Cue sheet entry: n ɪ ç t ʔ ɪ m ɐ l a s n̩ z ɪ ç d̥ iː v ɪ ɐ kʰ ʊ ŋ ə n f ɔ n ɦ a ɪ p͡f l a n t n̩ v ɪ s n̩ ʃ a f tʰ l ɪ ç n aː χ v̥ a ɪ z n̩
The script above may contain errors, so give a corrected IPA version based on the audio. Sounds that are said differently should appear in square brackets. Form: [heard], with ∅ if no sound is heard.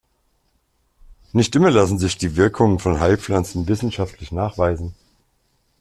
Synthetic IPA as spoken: n ɪ ç t ʔ ɪ m ɐ l a s n̩ z ɪ ç d̥ iː v ɪ ɐ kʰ ʊ ŋ ə n f ɔ n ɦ a ɪ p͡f l a n [t͡s] n̩ v ɪ s n̩ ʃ a f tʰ l ɪ ç n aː χ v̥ a ɪ z n̩